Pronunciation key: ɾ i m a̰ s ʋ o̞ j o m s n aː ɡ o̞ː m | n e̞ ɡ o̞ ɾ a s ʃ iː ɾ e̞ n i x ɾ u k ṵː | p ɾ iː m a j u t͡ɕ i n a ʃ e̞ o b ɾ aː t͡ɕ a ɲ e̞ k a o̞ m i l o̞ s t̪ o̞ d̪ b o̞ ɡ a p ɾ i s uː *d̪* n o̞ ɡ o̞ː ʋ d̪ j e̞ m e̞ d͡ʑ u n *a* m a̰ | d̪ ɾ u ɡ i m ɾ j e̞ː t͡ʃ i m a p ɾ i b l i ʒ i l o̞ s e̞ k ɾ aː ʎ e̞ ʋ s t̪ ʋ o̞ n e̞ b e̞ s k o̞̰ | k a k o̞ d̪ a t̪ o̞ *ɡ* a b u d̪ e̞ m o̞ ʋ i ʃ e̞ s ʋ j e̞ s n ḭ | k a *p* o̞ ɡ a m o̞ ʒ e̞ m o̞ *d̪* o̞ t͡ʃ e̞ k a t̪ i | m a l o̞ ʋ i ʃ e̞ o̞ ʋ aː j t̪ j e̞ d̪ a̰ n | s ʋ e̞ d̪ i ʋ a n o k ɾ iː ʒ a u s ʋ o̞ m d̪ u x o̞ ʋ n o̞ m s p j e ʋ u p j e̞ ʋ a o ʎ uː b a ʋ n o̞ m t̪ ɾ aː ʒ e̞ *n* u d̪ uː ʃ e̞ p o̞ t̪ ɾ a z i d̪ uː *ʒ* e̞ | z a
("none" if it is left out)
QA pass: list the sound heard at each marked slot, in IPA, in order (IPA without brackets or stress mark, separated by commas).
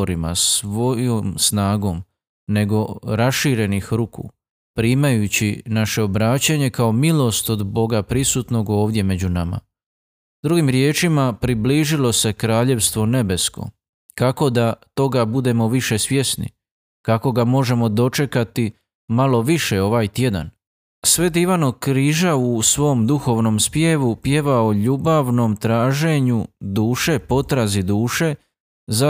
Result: t̪, a, ɡ, k, d̪, ɲ, ʃ